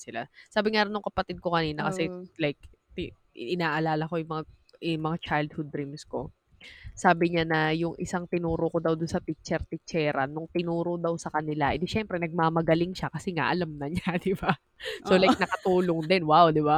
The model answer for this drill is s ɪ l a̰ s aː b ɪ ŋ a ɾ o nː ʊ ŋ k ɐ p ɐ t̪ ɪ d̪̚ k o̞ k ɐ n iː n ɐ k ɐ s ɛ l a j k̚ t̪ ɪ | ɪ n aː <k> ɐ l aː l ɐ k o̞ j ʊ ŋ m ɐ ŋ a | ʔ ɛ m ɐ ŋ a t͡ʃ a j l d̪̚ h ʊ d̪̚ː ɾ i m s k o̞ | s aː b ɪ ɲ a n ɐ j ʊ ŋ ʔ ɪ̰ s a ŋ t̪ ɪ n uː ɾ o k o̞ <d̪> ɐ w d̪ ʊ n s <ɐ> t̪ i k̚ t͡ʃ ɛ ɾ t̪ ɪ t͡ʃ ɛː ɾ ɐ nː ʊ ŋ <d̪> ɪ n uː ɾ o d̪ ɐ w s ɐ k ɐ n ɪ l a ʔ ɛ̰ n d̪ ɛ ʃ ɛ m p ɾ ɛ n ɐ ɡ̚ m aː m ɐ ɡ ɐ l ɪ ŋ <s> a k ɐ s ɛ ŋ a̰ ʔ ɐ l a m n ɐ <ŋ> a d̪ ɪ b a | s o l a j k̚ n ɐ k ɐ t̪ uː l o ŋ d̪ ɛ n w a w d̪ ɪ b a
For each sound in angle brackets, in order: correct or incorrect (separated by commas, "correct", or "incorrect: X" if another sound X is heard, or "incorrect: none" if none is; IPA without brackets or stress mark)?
incorrect: ʔ, correct, correct, incorrect: t̪, incorrect: ʃ, incorrect: ɲ